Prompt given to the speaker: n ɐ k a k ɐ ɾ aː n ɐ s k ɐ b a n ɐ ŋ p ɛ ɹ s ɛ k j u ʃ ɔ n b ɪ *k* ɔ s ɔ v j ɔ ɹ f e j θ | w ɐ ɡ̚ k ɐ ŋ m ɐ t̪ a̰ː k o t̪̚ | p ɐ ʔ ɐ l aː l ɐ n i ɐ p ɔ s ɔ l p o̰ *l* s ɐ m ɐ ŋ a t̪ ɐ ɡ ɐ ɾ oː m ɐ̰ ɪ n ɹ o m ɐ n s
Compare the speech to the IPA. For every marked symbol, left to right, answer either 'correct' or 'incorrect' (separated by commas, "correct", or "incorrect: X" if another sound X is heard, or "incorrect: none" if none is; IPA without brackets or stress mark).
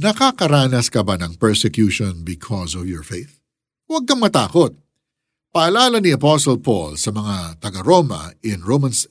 incorrect: kʰ, correct